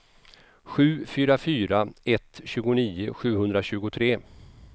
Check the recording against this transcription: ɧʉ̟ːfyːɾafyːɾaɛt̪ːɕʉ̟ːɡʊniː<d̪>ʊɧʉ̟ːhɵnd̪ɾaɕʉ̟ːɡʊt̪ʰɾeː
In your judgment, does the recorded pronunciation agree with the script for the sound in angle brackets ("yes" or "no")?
no